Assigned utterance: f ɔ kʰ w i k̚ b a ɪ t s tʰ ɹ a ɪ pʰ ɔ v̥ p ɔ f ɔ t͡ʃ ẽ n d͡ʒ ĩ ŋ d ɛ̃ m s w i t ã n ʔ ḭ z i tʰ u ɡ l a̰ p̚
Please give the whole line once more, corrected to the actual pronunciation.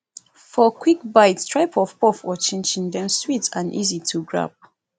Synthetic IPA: f ɔ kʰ w i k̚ b a ɪ t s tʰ ɹ a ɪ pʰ ɔ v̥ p ɔ f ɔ t͡ʃ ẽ n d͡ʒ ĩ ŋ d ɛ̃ m s w i t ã n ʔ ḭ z i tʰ u ɡ ɹ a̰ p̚